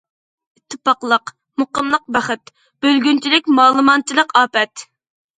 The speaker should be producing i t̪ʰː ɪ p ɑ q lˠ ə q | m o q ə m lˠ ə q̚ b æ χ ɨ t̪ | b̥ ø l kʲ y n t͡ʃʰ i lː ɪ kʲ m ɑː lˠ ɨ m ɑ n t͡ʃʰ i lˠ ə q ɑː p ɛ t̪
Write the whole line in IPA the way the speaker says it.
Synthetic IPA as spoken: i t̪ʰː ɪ p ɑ q lˠ ə q | m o q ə m lˠ ə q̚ b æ χ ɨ t̪ | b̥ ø l ɡʲ y n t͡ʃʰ i l ɪ kʲ m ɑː lˠ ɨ m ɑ n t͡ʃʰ i lˠ ə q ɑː p ɛ t̪